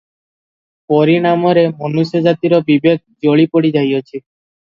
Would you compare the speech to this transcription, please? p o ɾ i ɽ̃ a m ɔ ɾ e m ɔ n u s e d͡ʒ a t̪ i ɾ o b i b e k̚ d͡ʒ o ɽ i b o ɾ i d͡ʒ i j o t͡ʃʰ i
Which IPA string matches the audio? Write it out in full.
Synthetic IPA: p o ɾ i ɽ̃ a m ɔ ɾ e m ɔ n u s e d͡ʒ a t̪ i ɾ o b i b e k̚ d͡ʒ o ɭ i p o ɽ i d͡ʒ a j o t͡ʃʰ i